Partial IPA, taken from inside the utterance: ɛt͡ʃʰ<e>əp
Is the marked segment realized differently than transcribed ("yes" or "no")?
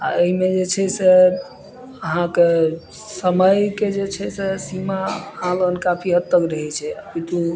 yes